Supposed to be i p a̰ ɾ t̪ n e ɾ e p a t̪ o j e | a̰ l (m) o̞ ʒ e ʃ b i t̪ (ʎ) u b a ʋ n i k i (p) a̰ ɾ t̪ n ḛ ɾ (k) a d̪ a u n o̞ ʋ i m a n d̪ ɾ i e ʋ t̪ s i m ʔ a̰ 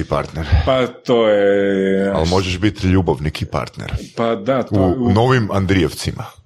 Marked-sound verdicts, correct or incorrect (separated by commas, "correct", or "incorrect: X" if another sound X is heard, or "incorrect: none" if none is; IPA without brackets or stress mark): correct, correct, correct, incorrect: p